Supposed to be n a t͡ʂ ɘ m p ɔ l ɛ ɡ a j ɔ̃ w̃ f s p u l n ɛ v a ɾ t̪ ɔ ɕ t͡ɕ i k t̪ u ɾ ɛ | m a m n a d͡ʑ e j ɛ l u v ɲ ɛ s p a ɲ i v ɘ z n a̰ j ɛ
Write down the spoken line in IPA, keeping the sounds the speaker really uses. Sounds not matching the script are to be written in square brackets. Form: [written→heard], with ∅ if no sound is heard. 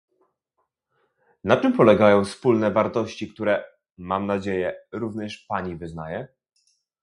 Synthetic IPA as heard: n a t͡ʂ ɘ m p ɔ l ɛ ɡ a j ɔ̃ w̃ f s p u l n ɛ v a ɾ t̪ ɔ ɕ t͡ɕ i k t̪ u ɾ ɛ | m a m n a d͡ʑ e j ɛ [l→ɾ] u v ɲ ɛ [s→ʂ] p a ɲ i v ɘ z n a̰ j ɛ

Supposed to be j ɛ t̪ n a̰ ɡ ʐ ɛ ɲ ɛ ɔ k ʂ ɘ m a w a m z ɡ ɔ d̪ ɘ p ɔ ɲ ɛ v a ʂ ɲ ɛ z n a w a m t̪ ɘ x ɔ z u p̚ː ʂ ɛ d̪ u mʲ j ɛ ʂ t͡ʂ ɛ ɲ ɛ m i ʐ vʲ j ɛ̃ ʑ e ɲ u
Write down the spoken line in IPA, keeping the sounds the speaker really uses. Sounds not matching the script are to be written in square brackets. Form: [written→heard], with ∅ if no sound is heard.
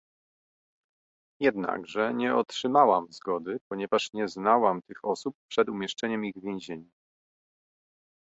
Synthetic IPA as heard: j ɛ [t̪→d̪] n a̰ ɡ ʐ ɛ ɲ ɛ ɔ [k→t] ʂ ɘ m a w a m z ɡ ɔ d̪ ɘ p ɔ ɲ ɛ v a ʂ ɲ ɛ z n a w a m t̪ ɘ x ɔ [z→s] u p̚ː ʂ ɛ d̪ u mʲ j ɛ ʂ t͡ʂ ɛ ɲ ɛ m i [ʐ→ɣ] vʲ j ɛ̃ ʑ e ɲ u

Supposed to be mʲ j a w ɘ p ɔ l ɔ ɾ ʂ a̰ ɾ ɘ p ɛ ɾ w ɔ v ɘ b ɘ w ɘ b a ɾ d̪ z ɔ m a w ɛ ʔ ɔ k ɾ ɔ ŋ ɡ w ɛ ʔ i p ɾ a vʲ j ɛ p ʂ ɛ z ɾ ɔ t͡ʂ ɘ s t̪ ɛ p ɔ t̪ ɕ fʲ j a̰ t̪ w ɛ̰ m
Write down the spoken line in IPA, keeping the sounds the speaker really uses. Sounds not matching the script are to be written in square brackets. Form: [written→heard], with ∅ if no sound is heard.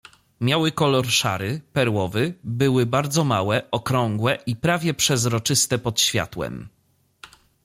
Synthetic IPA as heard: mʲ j a w ɘ [p→k] ɔ l ɔ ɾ ʂ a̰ ɾ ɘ p ɛ ɾ w ɔ v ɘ b ɘ w ɘ b a ɾ d̪ z ɔ m a w ɛ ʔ ɔ k ɾ ɔ ŋ ɡ w ɛ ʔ i p ɾ a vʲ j ɛ p ʂ ɛ z ɾ ɔ t͡ʂ ɘ s t̪ ɛ p ɔ t̪ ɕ fʲ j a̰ t̪ w ɛ̰ m

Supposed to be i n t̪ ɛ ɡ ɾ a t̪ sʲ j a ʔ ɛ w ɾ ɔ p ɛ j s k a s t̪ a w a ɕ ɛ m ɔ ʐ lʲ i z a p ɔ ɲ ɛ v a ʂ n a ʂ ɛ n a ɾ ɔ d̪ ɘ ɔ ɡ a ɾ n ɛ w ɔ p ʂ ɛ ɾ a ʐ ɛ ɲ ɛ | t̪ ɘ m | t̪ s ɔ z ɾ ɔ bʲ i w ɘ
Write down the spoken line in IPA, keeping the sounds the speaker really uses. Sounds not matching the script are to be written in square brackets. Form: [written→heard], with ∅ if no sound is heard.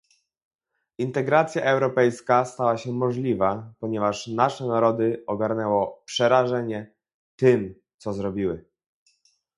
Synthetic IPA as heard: i n t̪ ɛ ɡ ɾ a t̪ sʲ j a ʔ ɛ w ɾ ɔ p ɛ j s k a s t̪ a w a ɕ ɛ m ɔ ʐ lʲ i [z→v] a p ɔ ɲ ɛ v a ʂ n a ʂ ɛ n a ɾ ɔ d̪ ɘ ɔ ɡ a ɾ n ɛ w ɔ p ʂ ɛ ɾ a ʐ ɛ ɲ ɛ | t̪ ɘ m | t̪ s ɔ z ɾ ɔ bʲ i w ɘ

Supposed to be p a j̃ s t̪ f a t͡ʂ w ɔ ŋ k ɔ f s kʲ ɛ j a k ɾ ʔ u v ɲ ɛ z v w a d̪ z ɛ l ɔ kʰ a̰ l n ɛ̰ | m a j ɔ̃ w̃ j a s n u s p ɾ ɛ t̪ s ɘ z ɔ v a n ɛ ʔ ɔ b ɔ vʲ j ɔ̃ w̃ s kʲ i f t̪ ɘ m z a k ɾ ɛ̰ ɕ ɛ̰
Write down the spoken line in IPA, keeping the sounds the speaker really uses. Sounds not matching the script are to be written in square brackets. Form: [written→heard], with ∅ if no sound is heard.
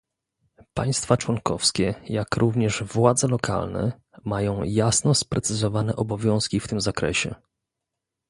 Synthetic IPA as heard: p a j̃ s t̪ f a t͡ʂ w ɔ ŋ k ɔ f s kʲ ɛ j a k ɾ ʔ u v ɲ ɛ [z→ʐ] v w a d̪ z ɛ l ɔ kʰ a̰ l n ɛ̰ | m a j ɔ̃ w̃ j a s n [u→ɔ] s p ɾ ɛ t̪ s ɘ z ɔ v a n ɛ ʔ ɔ b ɔ vʲ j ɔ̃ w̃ s kʲ i f t̪ ɘ m z a k ɾ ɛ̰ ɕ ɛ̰

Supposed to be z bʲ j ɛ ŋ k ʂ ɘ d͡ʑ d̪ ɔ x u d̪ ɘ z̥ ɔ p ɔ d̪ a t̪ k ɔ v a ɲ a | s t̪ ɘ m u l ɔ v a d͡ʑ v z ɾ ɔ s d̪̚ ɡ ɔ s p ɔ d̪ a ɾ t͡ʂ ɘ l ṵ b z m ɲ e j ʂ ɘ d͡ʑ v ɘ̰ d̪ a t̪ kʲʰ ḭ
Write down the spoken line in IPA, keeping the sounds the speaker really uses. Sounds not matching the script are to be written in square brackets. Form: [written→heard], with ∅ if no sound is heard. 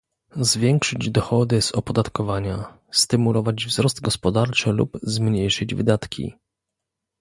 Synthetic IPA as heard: z [bʲ→vʲ] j ɛ ŋ k ʂ ɘ d͡ʑ d̪ ɔ x [u→ɔ] d̪ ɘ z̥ ɔ p ɔ d̪ a t̪ k ɔ v a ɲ a | s t̪ ɘ m u l ɔ v a d͡ʑ v z ɾ ɔ s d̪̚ ɡ ɔ s p ɔ d̪ a ɾ t͡ʂ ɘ l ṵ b z m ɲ e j ʂ ɘ d͡ʑ v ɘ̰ d̪ a t̪ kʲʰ ḭ

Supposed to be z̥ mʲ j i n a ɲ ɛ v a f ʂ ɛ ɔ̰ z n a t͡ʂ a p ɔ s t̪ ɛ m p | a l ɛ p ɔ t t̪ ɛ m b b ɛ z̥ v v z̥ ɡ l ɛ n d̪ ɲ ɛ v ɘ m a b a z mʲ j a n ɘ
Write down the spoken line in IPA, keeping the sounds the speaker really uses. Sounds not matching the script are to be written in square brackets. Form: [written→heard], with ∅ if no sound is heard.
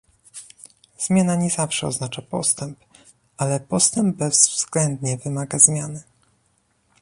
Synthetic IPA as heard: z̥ mʲ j [i→a] n a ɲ ɛ [v→z] a f ʂ ɛ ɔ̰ z n a t͡ʂ a p ɔ s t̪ ɛ m p | a l ɛ p ɔ [t→s] t̪ ɛ m b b ɛ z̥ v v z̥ ɡ l ɛ n d̪ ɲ ɛ v ɘ m a [b→ɡ] a z mʲ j a n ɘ

